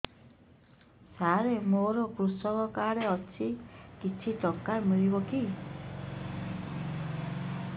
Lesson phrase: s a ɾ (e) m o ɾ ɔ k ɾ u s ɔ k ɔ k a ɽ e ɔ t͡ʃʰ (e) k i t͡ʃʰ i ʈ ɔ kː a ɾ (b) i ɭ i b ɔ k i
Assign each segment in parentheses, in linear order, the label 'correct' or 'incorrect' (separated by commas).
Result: correct, incorrect, incorrect